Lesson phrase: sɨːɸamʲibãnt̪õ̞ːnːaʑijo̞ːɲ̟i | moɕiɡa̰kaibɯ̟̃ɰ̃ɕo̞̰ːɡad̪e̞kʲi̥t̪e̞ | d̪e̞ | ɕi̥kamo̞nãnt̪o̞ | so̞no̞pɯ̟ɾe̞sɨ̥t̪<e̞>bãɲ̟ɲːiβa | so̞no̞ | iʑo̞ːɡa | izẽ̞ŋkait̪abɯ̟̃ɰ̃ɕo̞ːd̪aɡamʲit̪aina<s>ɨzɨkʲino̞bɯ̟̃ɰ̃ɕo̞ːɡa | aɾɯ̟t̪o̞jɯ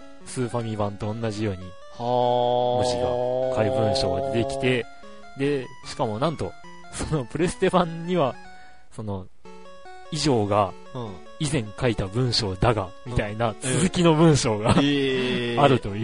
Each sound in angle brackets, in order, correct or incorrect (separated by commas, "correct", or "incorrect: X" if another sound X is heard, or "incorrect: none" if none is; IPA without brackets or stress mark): correct, incorrect: t͡s